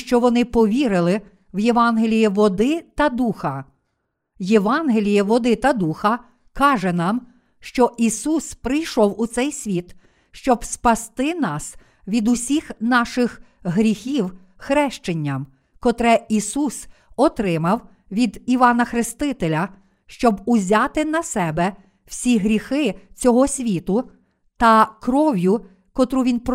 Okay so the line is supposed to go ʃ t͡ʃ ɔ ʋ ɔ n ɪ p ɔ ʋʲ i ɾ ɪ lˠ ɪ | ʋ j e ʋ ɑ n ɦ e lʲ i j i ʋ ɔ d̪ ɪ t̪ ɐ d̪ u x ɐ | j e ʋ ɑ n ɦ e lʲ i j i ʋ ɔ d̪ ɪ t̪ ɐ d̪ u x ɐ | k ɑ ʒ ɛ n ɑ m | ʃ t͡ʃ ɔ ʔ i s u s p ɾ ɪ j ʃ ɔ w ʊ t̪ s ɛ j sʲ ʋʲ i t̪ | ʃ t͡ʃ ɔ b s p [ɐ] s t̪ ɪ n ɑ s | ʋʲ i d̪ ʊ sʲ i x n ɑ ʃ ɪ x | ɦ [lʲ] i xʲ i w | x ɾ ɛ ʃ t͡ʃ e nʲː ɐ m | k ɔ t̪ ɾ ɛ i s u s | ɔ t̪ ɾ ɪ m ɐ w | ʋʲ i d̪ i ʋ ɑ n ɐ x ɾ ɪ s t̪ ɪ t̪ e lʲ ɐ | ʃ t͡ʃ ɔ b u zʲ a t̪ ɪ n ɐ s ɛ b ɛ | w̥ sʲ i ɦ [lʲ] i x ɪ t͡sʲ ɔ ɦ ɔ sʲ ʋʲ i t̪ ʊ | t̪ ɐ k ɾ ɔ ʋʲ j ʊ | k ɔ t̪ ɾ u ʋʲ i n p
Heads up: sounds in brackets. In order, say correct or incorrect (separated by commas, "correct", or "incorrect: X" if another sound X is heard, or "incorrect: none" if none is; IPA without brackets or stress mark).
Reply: correct, incorrect: ɾʲ, incorrect: ɾʲ